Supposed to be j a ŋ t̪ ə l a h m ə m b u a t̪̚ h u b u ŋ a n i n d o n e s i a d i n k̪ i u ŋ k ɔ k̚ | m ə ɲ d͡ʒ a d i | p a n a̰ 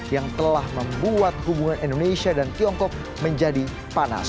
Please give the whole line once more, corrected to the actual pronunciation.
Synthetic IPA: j a ŋ t̪ ə l a h m ə m b u a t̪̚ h u b u ŋ a n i n d o n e s i a d a n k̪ i ɔ ŋ k ɔ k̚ | m ə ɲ d͡ʒ a d i | p a n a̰